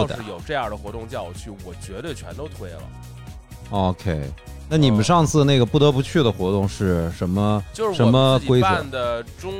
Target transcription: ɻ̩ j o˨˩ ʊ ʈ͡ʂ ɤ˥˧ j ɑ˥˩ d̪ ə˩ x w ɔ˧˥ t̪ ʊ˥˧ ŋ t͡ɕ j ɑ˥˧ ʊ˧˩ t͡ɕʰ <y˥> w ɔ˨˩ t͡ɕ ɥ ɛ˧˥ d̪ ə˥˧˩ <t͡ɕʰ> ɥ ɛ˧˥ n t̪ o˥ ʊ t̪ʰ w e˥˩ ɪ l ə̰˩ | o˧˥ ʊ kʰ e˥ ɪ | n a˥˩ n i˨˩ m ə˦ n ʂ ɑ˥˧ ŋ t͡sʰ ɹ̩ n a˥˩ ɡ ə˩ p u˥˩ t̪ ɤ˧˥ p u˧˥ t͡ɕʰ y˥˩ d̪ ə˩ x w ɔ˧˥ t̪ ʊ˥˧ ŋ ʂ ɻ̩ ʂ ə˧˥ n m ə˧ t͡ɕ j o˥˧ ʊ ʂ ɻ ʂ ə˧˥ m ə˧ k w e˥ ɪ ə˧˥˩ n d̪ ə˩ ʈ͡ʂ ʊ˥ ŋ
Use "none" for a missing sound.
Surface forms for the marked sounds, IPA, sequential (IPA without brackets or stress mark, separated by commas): y˥˩, t͡ɕʰ